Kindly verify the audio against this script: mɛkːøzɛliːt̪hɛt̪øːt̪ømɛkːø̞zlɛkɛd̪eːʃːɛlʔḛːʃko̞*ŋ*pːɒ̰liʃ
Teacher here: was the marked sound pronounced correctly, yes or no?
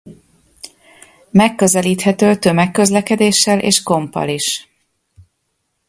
no